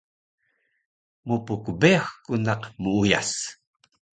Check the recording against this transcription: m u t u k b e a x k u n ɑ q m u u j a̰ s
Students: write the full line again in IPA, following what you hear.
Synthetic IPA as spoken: m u p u k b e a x k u n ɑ q m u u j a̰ s